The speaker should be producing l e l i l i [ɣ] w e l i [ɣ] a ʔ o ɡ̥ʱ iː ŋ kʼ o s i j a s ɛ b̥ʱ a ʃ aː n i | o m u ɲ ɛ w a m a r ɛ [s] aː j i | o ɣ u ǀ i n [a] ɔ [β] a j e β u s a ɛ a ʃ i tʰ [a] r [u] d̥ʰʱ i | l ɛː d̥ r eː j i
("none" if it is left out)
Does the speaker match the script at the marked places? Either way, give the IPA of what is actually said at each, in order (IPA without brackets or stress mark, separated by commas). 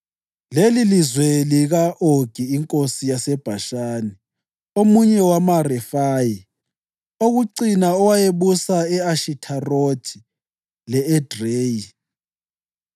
z, ɣ, f, a, w, a, o